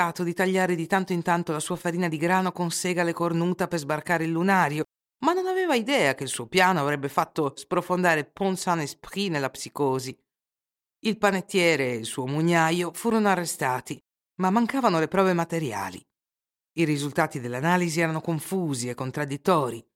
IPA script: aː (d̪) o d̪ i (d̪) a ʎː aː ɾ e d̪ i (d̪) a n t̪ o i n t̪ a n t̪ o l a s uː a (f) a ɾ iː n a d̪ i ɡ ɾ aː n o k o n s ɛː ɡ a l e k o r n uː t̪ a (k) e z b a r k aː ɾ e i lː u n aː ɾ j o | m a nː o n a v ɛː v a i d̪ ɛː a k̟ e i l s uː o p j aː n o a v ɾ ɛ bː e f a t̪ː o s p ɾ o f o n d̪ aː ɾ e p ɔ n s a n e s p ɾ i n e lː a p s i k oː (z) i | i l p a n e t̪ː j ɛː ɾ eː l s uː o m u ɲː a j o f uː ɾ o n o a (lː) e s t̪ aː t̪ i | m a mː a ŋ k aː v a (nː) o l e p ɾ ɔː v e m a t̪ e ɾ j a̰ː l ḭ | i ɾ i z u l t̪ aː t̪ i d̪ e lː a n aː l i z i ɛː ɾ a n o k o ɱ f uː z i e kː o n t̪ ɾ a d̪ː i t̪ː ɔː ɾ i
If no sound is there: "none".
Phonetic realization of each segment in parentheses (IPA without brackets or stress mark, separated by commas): t̪, t̪, t̪, f, p, z, rː, n